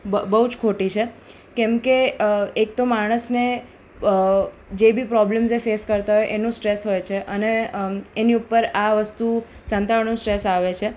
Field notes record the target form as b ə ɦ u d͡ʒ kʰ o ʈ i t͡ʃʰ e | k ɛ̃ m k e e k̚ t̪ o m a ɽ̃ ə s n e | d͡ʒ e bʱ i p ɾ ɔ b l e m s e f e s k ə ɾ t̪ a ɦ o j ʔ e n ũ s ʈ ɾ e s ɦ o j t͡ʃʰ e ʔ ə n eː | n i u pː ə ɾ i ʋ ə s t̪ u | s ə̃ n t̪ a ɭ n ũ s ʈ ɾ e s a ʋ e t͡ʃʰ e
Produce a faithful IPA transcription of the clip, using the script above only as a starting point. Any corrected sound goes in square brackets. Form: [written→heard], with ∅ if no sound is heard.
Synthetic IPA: b ə ɦ u d͡ʒ kʰ o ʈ i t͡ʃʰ e | k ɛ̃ m k e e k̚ t̪ o m a ɽ̃ ə s n e | d͡ʒ e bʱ i p ɾ ɔ b l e m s e f e s k ə ɾ t̪ a ɦ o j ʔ e n ũ s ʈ ɾ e s ɦ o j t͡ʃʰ e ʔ ə n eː | n i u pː ə ɾ [i→a] ʋ ə s t̪ u | s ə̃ n t̪ a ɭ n ũ s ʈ ɾ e s a ʋ e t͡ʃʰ e